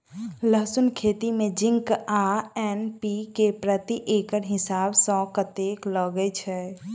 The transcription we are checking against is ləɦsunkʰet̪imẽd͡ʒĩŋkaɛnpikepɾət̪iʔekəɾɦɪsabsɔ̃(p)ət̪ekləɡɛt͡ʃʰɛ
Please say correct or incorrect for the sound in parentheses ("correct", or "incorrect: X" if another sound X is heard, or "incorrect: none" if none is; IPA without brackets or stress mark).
incorrect: k